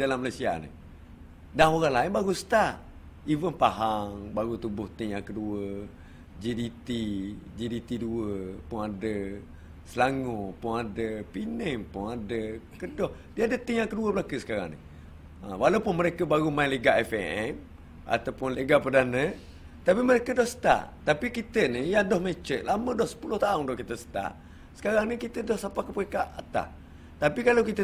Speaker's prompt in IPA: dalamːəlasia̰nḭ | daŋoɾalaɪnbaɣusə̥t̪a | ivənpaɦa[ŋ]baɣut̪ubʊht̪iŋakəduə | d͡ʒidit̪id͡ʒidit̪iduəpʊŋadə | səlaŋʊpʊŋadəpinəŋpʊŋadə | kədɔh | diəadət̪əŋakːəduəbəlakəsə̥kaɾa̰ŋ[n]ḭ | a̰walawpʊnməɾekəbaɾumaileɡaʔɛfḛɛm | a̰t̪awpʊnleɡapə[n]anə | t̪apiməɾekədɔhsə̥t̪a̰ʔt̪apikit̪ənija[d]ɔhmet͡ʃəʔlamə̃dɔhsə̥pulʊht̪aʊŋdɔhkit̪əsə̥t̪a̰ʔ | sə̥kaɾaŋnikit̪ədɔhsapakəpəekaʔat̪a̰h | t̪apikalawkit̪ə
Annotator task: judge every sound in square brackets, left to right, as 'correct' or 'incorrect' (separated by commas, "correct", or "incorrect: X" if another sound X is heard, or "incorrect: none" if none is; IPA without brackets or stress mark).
correct, correct, incorrect: d, correct